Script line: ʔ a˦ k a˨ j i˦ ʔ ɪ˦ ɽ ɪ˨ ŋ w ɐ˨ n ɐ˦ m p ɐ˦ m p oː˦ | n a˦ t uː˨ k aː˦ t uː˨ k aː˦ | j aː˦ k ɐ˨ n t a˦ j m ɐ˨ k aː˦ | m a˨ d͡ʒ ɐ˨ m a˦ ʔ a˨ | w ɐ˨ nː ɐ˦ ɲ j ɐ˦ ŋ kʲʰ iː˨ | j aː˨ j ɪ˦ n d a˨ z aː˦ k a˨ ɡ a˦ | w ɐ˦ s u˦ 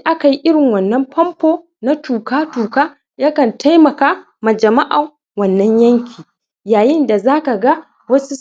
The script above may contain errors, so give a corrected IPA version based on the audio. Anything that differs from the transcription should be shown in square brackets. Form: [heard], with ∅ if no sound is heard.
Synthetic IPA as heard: ʔ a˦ k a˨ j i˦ ʔ ɪ˦ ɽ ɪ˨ ŋ w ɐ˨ [nː] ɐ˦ m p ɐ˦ m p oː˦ | n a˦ t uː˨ k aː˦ t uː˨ k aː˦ | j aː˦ k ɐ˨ n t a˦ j m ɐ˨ k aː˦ | m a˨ d͡ʒ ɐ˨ m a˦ ʔ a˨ | w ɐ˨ nː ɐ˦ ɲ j ɐ˦ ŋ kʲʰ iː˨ | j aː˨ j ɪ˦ n d a˨ z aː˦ k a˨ ɡ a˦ | w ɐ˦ s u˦

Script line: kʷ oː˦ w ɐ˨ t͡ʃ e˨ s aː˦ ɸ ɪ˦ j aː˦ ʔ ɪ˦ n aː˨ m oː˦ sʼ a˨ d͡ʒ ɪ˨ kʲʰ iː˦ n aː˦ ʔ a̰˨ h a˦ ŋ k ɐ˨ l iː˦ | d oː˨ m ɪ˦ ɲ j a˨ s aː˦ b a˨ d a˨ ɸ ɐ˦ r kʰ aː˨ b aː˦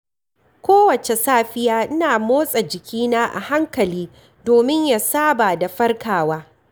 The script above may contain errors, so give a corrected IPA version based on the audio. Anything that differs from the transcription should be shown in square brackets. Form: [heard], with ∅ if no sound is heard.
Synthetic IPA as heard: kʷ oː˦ w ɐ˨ t͡ʃ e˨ s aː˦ ɸ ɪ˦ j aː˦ ʔ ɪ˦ n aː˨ m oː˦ sʼ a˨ d͡ʒ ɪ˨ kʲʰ iː˦ n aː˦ ʔ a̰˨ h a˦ ŋ k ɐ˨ l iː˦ | d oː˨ m ɪ˦ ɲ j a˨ s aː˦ b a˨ d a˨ ɸ ɐ˦ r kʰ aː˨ [w] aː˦

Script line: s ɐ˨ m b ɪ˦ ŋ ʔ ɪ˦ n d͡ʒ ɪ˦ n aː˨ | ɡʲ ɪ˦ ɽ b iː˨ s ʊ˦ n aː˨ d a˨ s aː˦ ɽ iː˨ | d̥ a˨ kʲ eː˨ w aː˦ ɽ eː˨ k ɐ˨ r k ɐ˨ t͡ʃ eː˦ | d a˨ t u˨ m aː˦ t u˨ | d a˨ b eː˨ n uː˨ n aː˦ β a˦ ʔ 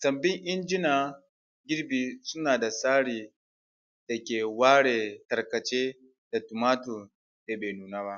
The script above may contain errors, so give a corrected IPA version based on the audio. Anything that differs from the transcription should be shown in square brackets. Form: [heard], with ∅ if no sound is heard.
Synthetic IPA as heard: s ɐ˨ m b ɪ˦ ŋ ʔ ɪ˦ n d͡ʒ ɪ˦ n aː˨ | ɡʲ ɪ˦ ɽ b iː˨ s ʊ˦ n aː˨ d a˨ s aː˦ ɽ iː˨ | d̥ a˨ kʲ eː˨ w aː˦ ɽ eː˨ [t] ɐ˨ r k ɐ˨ t͡ʃ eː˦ | d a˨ t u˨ m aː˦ t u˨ | d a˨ b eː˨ n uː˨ n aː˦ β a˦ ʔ

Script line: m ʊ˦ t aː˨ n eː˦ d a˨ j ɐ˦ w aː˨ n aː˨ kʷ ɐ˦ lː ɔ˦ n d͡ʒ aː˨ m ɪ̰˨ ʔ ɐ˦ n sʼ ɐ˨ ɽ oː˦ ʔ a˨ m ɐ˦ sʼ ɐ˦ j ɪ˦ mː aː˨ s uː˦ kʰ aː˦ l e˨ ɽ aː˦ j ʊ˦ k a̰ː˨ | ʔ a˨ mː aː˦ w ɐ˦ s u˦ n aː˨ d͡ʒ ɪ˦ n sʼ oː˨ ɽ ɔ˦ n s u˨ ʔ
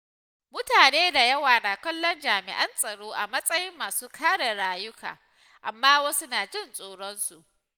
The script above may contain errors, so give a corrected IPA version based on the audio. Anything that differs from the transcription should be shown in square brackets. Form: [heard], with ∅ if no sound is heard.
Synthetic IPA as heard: m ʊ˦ t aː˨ n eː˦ d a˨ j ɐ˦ w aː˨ n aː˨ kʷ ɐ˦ lː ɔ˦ n d͡ʒ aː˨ m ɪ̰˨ ʔ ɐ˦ n sʼ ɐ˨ ɽ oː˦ ʔ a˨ m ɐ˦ sʼ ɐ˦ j ɪ˦ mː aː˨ s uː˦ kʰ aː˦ [ɽ] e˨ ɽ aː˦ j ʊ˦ k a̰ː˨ | ʔ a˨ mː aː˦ w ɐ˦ s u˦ n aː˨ d͡ʒ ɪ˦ n sʼ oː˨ ɽ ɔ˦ n s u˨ ʔ

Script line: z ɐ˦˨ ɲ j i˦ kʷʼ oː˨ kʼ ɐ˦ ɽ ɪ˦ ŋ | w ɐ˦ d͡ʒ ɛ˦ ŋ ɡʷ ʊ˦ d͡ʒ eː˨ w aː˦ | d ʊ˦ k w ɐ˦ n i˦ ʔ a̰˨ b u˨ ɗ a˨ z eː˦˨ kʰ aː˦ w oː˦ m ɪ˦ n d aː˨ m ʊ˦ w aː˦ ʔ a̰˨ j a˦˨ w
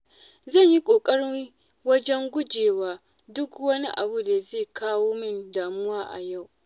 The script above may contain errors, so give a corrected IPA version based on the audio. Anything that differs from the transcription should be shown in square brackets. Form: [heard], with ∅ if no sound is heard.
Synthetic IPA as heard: z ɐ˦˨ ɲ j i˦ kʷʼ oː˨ kʼ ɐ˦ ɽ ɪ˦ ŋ | w ɐ˦ d͡ʒ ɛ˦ ŋ ɡʷ ʊ˦ d͡ʒ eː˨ w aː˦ | d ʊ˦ k w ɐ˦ n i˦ ʔ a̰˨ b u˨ [d] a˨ z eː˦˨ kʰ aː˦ w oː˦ m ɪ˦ n d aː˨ m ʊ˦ w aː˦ ʔ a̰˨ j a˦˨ w

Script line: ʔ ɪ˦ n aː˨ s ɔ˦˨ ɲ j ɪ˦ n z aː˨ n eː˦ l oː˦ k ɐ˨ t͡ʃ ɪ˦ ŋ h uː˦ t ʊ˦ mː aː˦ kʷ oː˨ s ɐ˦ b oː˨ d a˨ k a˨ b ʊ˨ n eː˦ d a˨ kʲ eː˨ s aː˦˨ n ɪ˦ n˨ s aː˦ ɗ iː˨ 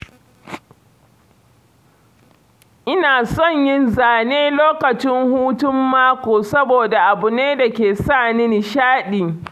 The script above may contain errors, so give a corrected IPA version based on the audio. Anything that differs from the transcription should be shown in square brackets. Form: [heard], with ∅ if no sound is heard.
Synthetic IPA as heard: ʔ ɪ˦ n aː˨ s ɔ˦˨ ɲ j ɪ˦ n z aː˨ n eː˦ l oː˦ k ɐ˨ t͡ʃ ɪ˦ ŋ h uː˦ t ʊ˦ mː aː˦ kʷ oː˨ s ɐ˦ b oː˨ d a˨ [ʔ] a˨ b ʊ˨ n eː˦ d a˨ kʲ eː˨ s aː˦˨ n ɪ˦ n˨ [ʃ] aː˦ ɗ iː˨

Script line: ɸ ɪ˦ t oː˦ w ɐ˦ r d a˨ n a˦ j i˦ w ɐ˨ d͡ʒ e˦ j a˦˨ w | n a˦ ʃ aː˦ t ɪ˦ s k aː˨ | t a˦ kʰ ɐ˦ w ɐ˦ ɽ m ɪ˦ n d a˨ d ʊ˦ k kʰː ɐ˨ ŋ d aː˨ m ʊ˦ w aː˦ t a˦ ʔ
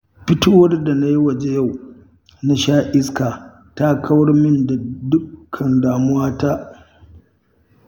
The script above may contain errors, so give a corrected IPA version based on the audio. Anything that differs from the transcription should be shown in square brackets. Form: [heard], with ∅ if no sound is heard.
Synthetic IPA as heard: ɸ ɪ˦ t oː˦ w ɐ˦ r d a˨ n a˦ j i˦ w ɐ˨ d͡ʒ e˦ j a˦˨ w | n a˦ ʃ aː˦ [ʔ] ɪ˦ s k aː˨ | t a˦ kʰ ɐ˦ w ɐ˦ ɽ m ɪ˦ n d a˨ d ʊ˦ k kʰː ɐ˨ [n] d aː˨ m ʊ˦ w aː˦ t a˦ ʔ

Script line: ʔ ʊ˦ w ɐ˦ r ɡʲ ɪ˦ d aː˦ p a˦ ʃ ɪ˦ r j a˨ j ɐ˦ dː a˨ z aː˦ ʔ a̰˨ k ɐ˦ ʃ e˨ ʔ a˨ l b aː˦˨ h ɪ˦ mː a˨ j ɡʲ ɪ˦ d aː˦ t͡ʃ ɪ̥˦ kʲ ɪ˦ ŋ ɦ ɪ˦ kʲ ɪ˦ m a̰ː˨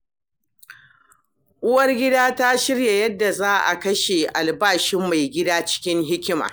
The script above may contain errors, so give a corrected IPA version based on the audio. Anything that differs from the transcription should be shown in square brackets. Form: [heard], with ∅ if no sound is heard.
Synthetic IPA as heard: ʔ ʊ˦ w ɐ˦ r ɡʲ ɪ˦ d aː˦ [t] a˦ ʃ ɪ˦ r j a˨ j ɐ˦ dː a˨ z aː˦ ʔ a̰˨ k ɐ˦ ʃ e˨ ʔ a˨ l b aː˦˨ [ʃ] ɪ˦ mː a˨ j ɡʲ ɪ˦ d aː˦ t͡ʃ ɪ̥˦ kʲ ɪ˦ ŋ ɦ ɪ˦ kʲ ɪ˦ m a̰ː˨

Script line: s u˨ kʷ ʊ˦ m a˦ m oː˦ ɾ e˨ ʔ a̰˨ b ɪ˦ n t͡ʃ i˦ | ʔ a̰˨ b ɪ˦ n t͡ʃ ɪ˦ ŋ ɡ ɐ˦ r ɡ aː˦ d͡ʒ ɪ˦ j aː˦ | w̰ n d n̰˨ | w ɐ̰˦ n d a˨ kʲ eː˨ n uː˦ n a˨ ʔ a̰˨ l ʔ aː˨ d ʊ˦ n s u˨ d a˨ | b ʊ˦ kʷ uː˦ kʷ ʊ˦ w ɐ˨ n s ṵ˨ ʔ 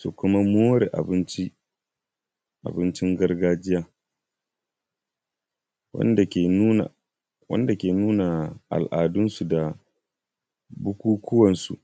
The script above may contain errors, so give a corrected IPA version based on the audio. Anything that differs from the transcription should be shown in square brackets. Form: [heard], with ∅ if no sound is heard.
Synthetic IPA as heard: s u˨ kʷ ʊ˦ m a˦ m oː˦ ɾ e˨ ʔ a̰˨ b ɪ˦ n t͡ʃ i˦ | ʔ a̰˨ b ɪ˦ n t͡ʃ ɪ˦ ŋ ɡ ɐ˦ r ɡ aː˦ d͡ʒ ɪ˦ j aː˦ | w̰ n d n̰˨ | w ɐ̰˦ n d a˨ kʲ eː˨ n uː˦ n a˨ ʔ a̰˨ l ʔ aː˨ d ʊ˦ n s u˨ d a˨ | b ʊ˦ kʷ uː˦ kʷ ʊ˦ w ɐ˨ n s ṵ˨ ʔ

